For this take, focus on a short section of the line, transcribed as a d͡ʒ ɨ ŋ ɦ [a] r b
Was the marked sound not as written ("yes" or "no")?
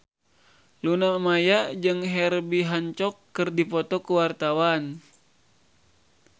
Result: yes